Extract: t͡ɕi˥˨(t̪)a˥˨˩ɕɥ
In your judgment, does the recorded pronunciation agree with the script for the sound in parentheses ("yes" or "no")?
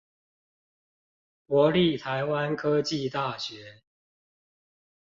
yes